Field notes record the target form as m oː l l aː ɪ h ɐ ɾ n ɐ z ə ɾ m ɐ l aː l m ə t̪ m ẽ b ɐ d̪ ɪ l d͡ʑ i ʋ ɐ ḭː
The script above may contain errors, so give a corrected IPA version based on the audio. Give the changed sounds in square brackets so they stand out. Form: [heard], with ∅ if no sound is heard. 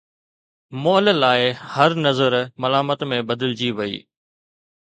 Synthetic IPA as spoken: m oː l l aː ɪ h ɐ ɾ n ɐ z ə ɾ m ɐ l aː [∅] m ə t̪ m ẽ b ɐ d̪ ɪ l d͡ʑ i ʋ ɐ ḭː